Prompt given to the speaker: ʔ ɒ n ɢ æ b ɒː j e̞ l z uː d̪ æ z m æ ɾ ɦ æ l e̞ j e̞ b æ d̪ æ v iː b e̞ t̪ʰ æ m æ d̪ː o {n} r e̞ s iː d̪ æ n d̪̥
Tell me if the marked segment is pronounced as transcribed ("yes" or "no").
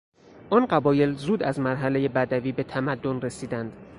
yes